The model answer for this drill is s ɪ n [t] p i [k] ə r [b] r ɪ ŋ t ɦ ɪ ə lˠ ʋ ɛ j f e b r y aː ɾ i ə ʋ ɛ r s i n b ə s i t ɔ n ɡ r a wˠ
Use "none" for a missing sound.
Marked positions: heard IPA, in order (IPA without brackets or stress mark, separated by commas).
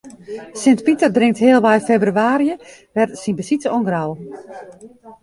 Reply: t, t, d